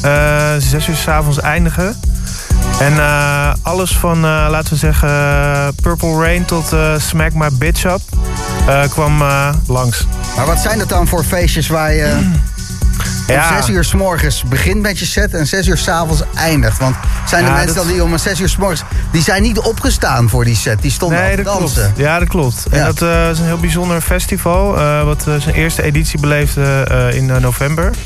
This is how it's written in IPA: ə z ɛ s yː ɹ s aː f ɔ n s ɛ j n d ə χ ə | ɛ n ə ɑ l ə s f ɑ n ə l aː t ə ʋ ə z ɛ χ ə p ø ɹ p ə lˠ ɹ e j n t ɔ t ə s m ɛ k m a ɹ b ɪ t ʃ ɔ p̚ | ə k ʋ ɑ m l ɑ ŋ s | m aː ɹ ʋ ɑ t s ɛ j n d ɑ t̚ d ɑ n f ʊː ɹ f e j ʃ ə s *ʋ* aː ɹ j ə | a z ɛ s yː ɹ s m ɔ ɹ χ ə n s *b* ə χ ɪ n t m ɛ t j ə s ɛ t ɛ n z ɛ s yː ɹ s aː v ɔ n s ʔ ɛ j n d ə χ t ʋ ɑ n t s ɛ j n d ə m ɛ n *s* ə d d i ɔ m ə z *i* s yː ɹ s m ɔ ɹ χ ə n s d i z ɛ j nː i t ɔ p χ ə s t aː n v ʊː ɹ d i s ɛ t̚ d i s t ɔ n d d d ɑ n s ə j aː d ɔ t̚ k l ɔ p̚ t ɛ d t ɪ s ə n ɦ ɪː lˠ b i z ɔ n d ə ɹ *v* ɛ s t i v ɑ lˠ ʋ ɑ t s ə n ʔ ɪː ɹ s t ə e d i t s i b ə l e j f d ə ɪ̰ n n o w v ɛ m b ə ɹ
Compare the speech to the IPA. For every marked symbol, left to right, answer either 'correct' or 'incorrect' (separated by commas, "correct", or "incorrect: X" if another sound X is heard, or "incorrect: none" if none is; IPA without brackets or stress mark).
correct, correct, correct, incorrect: ɛ, incorrect: f